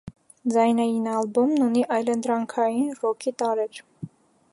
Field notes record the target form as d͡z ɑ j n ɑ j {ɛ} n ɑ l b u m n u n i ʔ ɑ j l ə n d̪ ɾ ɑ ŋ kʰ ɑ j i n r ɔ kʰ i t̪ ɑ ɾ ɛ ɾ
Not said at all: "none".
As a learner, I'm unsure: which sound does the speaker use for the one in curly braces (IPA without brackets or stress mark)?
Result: i